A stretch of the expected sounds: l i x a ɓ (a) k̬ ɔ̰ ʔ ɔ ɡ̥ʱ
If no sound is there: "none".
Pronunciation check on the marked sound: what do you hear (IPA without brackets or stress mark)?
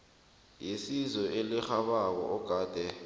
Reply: a